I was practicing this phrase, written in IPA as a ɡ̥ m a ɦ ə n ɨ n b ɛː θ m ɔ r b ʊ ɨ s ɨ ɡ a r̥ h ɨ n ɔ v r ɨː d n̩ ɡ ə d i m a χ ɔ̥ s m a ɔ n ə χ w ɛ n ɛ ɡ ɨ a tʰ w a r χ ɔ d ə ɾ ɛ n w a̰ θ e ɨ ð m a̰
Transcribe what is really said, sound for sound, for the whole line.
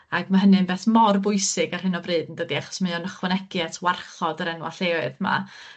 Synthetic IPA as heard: a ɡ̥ m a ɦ ə n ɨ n b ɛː θ m ɔ r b ʊ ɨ s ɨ ɡ a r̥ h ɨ n ɔ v r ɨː d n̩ d ə d i a χ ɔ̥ s m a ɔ n ə χ w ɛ n ɛ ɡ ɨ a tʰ w a r χ ɔ d ə ɾ ɛ n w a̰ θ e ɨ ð m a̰